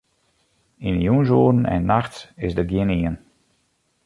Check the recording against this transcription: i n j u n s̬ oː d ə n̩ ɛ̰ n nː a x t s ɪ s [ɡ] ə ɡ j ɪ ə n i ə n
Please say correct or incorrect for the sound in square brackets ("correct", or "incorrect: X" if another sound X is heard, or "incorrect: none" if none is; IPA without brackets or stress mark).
incorrect: d